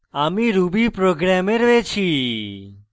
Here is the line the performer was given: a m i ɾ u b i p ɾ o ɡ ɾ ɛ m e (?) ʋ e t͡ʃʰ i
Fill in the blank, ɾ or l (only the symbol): ɾ